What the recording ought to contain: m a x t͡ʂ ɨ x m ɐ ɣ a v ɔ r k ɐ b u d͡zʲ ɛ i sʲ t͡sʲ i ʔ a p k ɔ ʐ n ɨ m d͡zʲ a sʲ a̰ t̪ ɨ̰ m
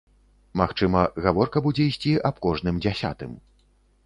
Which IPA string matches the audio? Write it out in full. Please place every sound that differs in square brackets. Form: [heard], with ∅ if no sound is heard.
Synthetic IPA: m a x t͡ʂ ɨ [∅] m ɐ ɣ a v ɔ r k ɐ b u d͡zʲ ɛ i sʲ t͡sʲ i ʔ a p k ɔ ʐ n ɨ m d͡zʲ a sʲ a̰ t̪ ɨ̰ m

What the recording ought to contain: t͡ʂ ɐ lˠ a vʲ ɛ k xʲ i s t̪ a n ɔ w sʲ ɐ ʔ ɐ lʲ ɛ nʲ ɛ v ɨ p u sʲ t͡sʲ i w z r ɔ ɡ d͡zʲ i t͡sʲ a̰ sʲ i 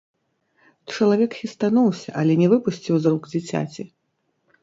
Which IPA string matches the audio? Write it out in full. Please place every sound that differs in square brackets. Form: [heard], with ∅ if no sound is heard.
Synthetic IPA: t͡ʂ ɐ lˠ a vʲ ɛ k xʲ i s t̪ a n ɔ w sʲ ɐ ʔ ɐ lʲ ɛ nʲ ɛ v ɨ p u sʲ t͡sʲ i w z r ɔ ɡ d͡zʲ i t͡sʲ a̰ [t͡sʲ] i

